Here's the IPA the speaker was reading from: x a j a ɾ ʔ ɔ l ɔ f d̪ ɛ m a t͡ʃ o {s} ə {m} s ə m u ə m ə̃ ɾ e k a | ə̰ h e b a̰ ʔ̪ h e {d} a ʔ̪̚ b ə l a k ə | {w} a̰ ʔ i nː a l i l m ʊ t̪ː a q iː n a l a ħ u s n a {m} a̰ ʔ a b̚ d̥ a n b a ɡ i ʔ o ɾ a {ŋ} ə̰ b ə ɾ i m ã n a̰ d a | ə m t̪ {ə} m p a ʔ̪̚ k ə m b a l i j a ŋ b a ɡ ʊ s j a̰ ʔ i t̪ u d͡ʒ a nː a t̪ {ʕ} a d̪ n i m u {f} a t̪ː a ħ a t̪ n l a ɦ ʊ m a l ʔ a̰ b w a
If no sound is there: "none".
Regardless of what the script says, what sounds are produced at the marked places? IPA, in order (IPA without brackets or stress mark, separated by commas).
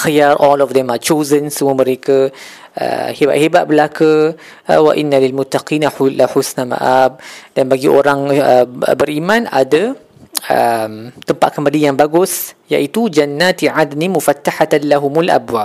z, n, b, w, m, ŋ, ə, ʕ, f